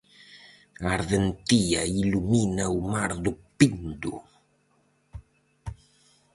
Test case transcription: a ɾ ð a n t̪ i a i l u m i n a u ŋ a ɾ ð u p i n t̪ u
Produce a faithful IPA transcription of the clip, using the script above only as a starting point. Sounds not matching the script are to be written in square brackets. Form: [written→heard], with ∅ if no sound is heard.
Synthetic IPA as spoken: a ɾ ð [a→e] n t̪ i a i l u m i n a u [ŋ→m] a ɾ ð u p i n [t̪→d̪] u